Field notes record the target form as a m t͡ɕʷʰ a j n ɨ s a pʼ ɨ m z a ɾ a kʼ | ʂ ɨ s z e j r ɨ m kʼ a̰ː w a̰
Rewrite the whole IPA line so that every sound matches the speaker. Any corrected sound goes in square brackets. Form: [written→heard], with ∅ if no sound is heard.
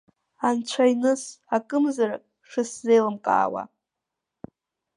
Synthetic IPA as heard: a [m→n] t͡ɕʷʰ a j n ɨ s a [pʼ→kʼ] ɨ m z a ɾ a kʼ | ʂ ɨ s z e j [r→l] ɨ m kʼ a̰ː w a̰

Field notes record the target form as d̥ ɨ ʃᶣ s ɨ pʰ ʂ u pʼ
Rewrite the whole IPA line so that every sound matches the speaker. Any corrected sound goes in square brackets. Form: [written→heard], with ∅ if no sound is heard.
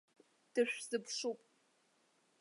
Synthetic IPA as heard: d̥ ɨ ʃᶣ [s→z] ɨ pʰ ʂ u pʼ

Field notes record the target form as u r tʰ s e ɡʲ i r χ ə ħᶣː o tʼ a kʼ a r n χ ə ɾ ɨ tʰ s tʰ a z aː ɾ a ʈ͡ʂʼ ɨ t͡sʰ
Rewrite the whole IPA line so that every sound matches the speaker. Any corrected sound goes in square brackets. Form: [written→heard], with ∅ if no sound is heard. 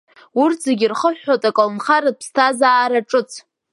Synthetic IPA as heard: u r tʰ [s→z] e ɡʲ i r χ ə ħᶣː o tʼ a kʼ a [r→l] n χ [ə→a] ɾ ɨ [tʰ→pʰ] s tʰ a z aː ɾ a ʈ͡ʂʼ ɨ t͡sʰ

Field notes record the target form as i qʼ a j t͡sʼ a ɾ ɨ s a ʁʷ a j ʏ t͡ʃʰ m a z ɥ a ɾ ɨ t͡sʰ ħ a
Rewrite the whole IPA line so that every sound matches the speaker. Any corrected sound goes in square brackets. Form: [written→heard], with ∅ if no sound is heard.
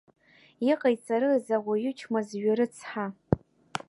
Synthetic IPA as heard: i qʼ a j t͡sʼ a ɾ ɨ [s→z] a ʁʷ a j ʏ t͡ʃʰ m a z ɥ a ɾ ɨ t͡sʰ ħ a

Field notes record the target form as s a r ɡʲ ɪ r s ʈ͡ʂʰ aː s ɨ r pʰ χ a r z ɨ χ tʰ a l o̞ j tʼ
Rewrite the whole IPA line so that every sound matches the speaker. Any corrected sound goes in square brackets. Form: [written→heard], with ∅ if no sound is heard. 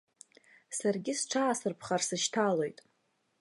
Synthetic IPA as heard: s a r ɡʲ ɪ [r→∅] s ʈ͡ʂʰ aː s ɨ r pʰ χ a r [z→s] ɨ [χ→ʃ] tʰ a l o̞ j tʼ

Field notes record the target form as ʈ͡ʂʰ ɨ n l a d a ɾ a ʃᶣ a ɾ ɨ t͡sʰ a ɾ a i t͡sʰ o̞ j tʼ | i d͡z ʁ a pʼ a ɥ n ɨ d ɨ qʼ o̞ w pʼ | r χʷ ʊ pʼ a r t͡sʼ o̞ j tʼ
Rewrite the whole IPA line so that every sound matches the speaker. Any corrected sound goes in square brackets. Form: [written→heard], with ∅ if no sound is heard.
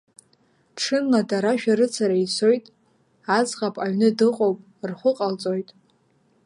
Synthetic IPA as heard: ʈ͡ʂʰ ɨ n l a d a ɾ a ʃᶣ a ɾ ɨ t͡sʰ a ɾ a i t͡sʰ o̞ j tʼ | [i→a] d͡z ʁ a pʼ a ɥ n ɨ d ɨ qʼ o̞ w pʼ | r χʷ ʊ [pʼ→qʼ] a [r→l] t͡sʼ o̞ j tʼ

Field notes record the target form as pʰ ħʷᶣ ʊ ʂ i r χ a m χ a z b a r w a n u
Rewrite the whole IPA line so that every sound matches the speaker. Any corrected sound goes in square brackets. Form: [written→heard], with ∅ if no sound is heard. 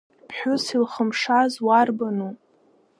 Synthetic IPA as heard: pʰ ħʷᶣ ʊ [ʂ→s] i [r→l] χ [a→ə] m [χ→ʂ] a z [b→w] a r [w→b] a n u

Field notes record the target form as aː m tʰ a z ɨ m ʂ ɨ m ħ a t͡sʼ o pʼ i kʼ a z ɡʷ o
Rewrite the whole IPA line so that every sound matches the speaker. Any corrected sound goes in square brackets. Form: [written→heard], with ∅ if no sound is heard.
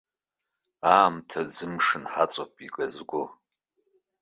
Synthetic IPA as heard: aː m tʰ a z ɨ m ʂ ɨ [m→n] ħ a t͡sʼ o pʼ i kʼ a z ɡʷ o

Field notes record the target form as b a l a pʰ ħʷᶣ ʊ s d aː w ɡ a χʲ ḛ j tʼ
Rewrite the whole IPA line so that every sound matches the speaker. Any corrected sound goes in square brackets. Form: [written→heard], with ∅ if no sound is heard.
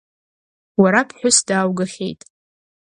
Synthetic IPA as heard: [b→w] a [l→ɾ] a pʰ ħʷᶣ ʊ s d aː w ɡ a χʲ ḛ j tʼ

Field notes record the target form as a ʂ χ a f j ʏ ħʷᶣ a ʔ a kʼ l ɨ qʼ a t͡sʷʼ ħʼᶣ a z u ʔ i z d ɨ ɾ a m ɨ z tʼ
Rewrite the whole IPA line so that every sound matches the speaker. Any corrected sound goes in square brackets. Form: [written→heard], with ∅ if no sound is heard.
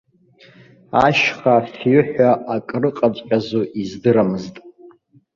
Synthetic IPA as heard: a [ʂ→ʃ] χ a f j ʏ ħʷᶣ a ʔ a kʼ [l→r] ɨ qʼ a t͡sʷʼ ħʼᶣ a z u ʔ i z d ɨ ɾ a m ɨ z tʼ

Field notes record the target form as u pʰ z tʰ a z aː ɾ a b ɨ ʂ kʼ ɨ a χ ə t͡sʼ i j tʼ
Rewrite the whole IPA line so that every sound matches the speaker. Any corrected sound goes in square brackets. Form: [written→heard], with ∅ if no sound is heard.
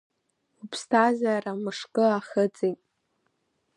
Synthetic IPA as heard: u pʰ [z→s] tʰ a z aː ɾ a [b→m] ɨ ʂ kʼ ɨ a χ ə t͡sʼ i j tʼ

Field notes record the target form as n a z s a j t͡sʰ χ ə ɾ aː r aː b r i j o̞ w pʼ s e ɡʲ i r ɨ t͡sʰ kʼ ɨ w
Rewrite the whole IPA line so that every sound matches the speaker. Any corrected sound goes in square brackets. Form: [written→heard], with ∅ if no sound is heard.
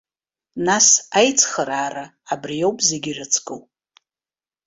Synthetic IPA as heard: n a [z→∅] s a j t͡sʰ χ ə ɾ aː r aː b r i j o̞ w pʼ [s→z] e ɡʲ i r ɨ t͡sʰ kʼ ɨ w

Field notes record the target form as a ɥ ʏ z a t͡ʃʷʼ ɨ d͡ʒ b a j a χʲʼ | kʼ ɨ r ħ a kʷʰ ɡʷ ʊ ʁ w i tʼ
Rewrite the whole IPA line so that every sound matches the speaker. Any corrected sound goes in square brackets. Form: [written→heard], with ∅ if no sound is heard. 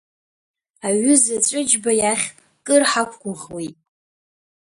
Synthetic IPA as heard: a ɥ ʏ z a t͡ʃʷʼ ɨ d͡ʒ b a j a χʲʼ | kʼ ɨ r ħ a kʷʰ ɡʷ ʊ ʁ w i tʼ

